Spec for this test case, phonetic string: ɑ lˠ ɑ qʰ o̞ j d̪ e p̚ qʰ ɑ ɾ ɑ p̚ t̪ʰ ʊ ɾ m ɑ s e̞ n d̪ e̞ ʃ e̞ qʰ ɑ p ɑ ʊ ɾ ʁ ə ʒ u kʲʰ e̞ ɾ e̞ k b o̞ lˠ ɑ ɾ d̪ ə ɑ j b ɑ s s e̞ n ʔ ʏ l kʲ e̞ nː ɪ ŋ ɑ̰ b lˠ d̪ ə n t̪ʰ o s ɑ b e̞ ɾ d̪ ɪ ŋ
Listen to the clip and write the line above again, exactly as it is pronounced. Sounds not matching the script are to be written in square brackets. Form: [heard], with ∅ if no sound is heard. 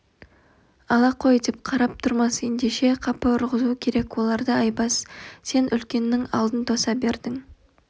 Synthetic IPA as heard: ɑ lˠ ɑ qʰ o̞ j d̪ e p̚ qʰ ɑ ɾ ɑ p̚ t̪ʰ ʊ ɾ m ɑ s e̞ n d̪ e̞ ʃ e̞ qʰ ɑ p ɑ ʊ ɾ ʁ ə [z] u kʲʰ e̞ ɾ e̞ k [w] o̞ lˠ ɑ ɾ d̪ ə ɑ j b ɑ s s e̞ n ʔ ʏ l kʲ e̞ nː ɪ ŋ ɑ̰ [∅] lˠ d̪ ə n t̪ʰ o s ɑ b e̞ ɾ d̪ ɪ ŋ